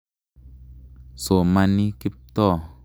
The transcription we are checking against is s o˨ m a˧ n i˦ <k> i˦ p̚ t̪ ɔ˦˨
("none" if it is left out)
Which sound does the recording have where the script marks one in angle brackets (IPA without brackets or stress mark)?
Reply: k